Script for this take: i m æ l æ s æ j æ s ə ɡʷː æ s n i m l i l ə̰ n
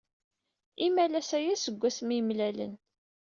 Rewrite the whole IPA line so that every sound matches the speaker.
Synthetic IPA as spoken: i m æ l æ s æ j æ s ə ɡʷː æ s m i m l æ l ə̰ n